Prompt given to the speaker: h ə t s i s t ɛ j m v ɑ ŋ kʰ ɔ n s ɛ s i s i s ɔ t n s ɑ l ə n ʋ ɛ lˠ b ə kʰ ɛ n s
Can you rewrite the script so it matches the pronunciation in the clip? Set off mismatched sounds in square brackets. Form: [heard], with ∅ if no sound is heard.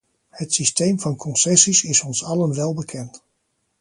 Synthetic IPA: h ə t s i s t [e] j m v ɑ [n] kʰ ɔ n s ɛ s i s [ɪ] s ɔ [∅] n s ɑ l ə n ʋ ɛ lˠ b ə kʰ ɛ n [t]